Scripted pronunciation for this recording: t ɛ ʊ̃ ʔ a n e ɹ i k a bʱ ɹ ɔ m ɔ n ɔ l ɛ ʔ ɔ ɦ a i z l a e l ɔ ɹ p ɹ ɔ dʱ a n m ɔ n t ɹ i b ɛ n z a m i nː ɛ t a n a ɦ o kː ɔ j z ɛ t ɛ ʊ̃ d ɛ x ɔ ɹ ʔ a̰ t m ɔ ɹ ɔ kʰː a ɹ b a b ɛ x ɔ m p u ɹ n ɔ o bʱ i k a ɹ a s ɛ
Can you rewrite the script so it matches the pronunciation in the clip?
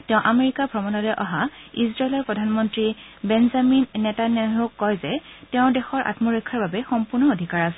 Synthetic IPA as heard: t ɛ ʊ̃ ʔ a m e ɹ i k a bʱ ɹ ɔ m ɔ n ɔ l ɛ ʔ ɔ ɦ a i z ɹ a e l ɔ ɹ p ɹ ɔ dʱ a n m ɔ n t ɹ i b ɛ n z a m i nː ɛ t a n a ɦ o kː ɔ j z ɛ t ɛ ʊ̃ d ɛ x ɔ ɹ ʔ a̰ t m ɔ ɹ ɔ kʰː a ɹ b a b ɛ x ɔ m p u ɹ n ɔ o dʱ i k a ɹ a s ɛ